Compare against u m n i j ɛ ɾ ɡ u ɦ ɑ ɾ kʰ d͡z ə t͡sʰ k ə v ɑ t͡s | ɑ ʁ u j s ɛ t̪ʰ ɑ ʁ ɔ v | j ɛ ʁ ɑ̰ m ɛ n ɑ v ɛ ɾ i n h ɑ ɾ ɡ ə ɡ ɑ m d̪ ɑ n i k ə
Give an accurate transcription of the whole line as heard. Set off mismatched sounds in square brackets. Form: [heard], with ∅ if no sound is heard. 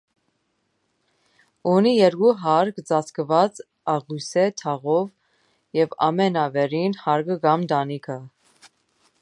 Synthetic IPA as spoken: u [∅] n i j ɛ ɾ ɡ u ɦ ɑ ɾ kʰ d͡z [ɑ] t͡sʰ k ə v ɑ t͡s | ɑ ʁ u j s ɛ t̪ʰ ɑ ʁ ɔ v | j ɛ [v] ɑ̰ m ɛ n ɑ v ɛ ɾ i n h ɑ ɾ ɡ ə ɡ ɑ m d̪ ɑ n i [kʰ] ə